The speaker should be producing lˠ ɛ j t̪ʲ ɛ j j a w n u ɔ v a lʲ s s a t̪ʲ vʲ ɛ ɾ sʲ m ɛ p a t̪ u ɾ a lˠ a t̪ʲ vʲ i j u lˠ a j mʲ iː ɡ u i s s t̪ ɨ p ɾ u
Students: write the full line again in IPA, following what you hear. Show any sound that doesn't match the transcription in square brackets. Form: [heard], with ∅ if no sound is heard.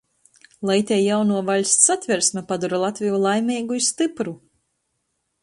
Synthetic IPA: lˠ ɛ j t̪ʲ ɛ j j a w n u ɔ v a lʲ s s a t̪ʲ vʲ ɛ ɾ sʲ m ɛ p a [d̪] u ɾ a lˠ a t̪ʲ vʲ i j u lˠ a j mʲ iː ɡ u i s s t̪ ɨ p ɾ u